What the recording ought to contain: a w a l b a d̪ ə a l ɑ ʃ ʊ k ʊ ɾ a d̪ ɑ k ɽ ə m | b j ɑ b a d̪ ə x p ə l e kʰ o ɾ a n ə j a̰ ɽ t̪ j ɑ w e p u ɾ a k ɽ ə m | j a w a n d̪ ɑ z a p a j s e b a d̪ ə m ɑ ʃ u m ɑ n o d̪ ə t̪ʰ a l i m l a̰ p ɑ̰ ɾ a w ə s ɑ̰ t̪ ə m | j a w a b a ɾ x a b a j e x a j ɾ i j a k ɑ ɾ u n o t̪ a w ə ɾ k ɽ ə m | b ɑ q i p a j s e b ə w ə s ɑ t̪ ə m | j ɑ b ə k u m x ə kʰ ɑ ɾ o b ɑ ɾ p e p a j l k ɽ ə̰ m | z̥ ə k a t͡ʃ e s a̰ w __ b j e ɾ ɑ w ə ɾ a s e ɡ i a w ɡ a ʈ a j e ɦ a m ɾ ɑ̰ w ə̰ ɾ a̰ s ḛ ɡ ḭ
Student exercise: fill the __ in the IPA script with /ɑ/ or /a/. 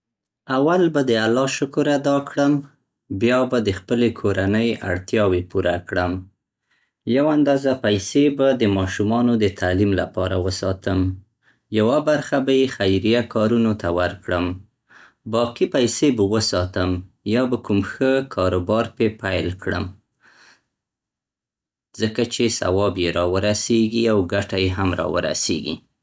ɑ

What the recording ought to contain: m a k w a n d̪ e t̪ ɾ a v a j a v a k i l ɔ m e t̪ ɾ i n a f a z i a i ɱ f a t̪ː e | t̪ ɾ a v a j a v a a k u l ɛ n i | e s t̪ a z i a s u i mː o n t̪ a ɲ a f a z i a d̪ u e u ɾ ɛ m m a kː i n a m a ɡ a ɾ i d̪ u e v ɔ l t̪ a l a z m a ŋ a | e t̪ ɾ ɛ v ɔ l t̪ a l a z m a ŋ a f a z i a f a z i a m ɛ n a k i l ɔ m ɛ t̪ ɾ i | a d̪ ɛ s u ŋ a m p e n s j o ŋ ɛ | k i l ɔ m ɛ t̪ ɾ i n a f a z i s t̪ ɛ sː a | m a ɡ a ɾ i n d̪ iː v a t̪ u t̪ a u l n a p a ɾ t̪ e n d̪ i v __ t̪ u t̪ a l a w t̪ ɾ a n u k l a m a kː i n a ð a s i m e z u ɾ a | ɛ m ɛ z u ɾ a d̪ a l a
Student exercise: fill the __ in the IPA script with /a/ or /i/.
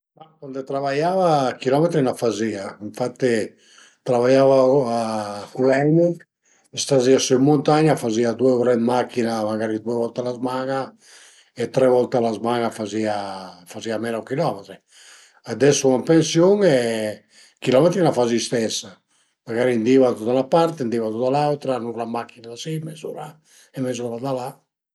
a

